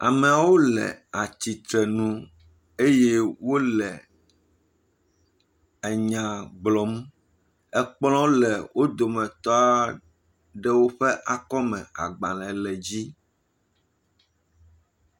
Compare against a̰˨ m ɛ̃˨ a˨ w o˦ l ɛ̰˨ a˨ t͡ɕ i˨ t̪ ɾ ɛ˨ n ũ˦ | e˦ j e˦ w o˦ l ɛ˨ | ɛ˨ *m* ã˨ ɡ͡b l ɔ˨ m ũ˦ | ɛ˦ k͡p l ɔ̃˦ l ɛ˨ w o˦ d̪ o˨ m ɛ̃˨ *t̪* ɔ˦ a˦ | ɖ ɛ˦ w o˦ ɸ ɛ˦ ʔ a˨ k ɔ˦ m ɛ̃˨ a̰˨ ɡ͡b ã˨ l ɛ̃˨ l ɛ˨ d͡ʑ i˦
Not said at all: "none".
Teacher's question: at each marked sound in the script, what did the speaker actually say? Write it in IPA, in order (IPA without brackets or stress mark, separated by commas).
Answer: ɲ, t̪